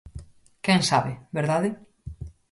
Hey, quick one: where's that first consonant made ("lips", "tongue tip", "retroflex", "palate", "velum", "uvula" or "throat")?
velum